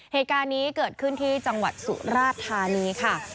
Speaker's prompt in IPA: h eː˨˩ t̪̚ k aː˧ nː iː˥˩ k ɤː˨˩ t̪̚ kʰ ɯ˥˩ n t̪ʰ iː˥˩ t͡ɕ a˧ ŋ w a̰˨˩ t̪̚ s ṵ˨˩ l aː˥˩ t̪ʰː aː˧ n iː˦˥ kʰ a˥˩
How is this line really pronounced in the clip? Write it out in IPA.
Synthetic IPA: h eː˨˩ t̪̚ k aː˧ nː iː˦˥ k ɤː˨˩ t̪̚ kʰ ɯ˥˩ n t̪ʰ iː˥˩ t͡ɕ a˧ ŋ w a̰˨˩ t̪̚ s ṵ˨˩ ɾ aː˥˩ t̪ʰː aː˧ n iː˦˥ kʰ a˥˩